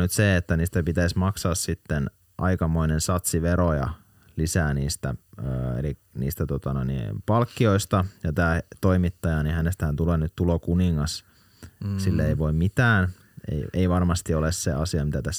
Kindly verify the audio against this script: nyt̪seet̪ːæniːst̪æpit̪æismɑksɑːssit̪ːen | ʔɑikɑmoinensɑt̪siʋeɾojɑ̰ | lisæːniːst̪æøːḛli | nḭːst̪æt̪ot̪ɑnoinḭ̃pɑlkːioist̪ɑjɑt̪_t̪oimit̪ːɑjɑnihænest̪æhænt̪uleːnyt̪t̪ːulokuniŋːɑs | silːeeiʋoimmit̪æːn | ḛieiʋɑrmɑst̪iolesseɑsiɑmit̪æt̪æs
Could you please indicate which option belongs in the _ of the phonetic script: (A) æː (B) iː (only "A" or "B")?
A